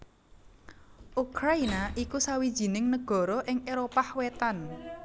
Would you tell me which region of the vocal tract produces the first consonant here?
throat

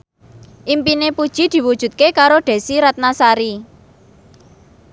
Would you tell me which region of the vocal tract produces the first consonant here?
throat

